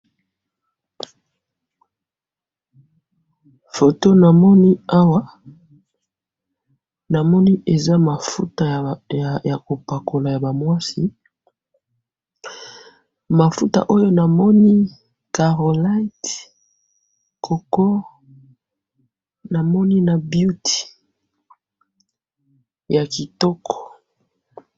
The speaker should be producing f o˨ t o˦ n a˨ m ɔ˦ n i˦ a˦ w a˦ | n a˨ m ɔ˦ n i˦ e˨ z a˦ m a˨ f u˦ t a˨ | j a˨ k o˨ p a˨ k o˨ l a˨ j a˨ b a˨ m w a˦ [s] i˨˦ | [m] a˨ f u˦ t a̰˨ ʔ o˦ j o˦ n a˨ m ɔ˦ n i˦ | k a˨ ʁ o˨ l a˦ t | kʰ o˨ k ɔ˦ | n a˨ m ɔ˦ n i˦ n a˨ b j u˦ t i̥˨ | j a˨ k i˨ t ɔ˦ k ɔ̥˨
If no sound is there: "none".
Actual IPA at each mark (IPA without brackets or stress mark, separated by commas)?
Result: s, m